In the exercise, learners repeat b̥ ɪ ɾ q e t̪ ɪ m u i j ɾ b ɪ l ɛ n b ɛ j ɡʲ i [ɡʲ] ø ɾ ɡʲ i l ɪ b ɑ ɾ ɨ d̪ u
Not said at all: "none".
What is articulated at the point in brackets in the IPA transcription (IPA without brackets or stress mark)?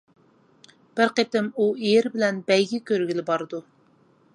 kʲ